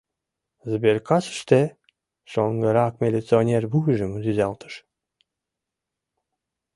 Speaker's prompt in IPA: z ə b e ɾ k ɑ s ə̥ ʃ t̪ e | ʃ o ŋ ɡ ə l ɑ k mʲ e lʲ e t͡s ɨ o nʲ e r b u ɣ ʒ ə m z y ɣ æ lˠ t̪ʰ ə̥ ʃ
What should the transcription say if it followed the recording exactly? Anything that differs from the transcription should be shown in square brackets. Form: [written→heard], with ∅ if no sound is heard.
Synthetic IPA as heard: z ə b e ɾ k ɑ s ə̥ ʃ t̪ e | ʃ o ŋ ɡ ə [l→ɾ] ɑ k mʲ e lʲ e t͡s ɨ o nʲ e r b u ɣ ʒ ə m z y [ɣ→z] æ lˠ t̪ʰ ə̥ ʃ

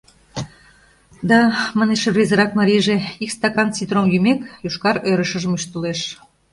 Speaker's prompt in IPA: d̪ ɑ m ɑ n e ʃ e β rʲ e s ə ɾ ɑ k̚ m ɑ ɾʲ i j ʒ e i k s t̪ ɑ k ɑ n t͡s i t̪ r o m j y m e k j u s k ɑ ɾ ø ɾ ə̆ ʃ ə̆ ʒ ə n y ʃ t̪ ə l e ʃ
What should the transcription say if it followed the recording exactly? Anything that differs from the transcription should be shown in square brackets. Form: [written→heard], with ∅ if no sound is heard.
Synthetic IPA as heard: d̪ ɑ m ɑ n e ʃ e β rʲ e [s→z] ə ɾ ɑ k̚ m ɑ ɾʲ i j ʒ e i k s t̪ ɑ k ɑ n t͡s i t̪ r o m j y m e k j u [s→ʃ] k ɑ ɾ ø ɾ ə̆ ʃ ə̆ ʒ ə [n→m] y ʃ t̪ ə l e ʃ

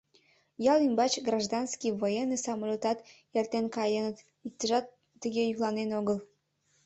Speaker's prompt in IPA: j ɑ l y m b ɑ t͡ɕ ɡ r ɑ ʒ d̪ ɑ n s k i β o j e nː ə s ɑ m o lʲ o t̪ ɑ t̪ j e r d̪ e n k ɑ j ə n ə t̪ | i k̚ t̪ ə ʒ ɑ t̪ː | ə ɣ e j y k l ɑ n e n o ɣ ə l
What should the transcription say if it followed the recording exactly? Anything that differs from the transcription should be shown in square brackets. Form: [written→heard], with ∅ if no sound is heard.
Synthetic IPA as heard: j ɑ l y m b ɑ t͡ɕ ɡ r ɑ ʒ d̪ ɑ n s k i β o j e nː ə s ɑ m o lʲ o t̪ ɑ t̪ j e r [d̪→t̪] e n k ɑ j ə n ə t̪ | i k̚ t̪ ə ʒ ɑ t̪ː | ə ɣ e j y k l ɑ n e n o ɣ ə l

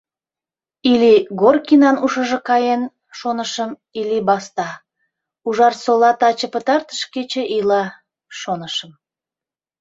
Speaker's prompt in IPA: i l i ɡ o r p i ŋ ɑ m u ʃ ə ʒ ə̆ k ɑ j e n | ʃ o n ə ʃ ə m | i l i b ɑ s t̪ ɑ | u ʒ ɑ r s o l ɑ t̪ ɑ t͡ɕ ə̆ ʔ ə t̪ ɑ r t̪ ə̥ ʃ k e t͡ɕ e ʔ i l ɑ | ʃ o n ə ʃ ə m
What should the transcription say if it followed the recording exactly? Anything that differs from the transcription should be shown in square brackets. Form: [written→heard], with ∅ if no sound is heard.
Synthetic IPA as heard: i l i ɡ o r [p→k] i [ŋ→n] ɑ [m→n] u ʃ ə ʒ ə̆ k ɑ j e n | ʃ o n ə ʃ ə m | i l i b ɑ s t̪ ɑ | u ʒ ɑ r s o l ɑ t̪ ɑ t͡ɕ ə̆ [ʔ→p] ə t̪ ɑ r t̪ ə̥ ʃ k e t͡ɕ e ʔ i l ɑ | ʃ o n ə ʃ ə m

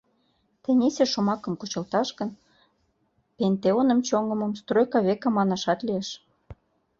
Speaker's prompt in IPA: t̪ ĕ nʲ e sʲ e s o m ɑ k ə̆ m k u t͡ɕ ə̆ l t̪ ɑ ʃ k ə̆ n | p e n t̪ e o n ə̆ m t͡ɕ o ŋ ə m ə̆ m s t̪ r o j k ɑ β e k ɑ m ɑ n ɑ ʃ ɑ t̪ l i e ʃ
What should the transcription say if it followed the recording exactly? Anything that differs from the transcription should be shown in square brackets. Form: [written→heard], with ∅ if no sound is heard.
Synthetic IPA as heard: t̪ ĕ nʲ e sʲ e [s→ʃ] o m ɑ k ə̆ m k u t͡ɕ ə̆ l t̪ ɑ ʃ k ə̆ n | p e n t̪ e o n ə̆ m t͡ɕ o ŋ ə m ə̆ m s t̪ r o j k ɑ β e k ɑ m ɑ n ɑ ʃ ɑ t̪ l i e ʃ

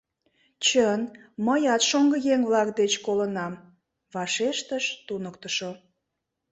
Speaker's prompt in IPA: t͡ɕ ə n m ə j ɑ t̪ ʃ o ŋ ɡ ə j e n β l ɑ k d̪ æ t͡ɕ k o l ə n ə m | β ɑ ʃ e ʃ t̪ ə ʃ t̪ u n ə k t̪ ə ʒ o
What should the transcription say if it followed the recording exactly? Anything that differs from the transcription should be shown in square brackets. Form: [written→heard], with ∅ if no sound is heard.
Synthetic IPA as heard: t͡ɕ ə n m ə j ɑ t̪ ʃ o ŋ ɡ ə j e [n→ŋ] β l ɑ k d̪ [æ→e] t͡ɕ k o l ə n [ə→ɑ] m | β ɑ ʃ e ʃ t̪ ə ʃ t̪ u n ə k t̪ ə [ʒ→ʃ] o

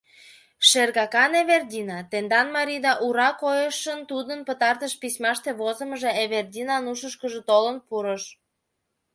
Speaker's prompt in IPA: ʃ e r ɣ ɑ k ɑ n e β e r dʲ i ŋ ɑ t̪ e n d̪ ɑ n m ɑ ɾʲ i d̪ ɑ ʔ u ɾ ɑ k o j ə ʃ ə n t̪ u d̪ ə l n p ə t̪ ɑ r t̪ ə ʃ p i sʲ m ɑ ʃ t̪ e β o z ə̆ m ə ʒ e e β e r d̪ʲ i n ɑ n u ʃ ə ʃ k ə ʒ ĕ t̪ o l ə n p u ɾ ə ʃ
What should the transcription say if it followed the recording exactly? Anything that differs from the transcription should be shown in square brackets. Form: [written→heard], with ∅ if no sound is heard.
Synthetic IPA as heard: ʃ e r ɣ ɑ k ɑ n e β e r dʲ i [ŋ→n] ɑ t̪ e n d̪ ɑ n m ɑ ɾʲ i d̪ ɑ ʔ u ɾ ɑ k o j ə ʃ ə n t̪ u d̪ ə [l→∅] n p ə t̪ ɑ r t̪ ə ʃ p i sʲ m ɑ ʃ t̪ e β o z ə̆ m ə ʒ e e β e r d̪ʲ i n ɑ n u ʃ ə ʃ k ə ʒ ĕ t̪ o l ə n p u ɾ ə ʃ

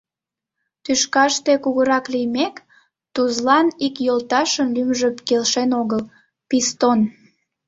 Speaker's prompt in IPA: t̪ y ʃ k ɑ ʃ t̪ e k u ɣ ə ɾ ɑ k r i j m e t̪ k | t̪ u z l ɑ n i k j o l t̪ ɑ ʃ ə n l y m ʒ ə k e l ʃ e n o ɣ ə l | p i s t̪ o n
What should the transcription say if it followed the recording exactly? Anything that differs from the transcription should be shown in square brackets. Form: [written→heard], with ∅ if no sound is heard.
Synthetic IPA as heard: t̪ y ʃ k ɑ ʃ t̪ e k u ɣ ə ɾ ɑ k [r→l] i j m e [t̪→∅] k | t̪ u z l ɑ n i k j o l t̪ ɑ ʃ ə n l y m ʒ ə k e l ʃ e n o ɣ ə l | p i s t̪ o n

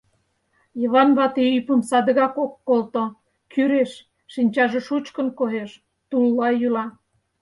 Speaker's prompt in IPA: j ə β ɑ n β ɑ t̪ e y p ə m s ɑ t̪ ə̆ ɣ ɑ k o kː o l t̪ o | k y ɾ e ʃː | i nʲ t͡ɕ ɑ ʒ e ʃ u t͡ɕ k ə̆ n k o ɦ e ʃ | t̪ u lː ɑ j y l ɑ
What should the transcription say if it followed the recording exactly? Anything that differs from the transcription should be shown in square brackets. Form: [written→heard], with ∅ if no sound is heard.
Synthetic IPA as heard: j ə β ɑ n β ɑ t̪ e y p ə m s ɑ [t̪→d̪] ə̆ ɣ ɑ k o kː o l t̪ o | k y ɾ e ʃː | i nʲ t͡ɕ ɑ ʒ e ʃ u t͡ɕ k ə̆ n k o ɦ e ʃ | t̪ u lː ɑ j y l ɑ

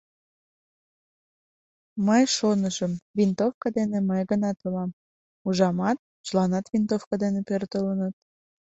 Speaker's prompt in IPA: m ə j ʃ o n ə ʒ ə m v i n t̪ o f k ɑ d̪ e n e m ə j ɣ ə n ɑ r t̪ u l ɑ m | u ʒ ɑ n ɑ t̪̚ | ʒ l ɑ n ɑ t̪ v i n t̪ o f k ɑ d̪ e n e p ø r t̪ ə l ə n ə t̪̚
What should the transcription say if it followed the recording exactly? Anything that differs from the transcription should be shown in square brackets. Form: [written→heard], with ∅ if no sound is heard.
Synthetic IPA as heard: m ə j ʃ o n ə ʒ ə m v i n t̪ o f k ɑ d̪ e n e m ə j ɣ ə n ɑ [r→∅] t̪ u l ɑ m | u ʒ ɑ [n→m] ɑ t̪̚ | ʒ l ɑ n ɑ t̪ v i n t̪ o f k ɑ d̪ e n e p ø r t̪ ə l ə n ə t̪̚

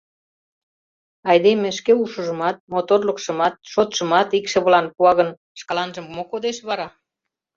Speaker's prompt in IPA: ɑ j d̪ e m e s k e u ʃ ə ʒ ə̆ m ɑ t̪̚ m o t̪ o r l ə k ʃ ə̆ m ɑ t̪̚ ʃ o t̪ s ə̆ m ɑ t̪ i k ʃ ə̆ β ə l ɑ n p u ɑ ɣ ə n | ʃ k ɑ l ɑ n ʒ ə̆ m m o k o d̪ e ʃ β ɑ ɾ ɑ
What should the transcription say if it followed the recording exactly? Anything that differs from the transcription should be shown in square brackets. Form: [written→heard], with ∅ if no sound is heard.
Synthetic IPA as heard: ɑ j d̪ e m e [s→ʃ] k e u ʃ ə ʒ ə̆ m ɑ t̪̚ m o t̪ o r l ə k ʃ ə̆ m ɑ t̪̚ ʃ o t̪ [s→ʃ] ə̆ m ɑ t̪ i k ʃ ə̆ β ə l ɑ n p u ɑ ɣ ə n | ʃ k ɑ l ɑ n ʒ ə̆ m m o k o d̪ e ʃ β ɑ ɾ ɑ

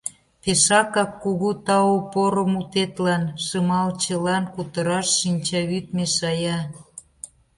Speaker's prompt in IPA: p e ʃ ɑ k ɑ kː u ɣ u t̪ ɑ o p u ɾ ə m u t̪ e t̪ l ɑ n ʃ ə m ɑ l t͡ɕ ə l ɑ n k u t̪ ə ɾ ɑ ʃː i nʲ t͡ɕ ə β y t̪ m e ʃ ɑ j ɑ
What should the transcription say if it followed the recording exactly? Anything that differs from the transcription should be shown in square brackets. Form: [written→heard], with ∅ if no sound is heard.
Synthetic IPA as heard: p e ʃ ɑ k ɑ kː u ɣ u t̪ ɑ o p [u→o] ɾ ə m u t̪ e t̪ l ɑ n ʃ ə m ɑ l t͡ɕ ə l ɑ n k u t̪ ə ɾ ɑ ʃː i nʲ t͡ɕ [ə→ɑ] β y t̪ m e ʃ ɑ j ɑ

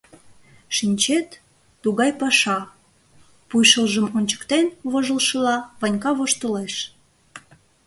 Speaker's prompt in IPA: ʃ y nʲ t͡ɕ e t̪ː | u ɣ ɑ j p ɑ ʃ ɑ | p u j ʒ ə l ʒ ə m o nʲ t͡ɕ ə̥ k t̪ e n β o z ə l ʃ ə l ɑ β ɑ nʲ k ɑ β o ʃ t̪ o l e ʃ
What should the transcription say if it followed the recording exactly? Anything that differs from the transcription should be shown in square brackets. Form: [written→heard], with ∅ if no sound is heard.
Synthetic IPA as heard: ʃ [y→i] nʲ t͡ɕ e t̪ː | u ɣ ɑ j p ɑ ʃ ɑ | p u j [ʒ→ʃ] ə l ʒ ə m o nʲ t͡ɕ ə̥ k t̪ e n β o [z→ʒ] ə l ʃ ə l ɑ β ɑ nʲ k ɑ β o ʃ t̪ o l e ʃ

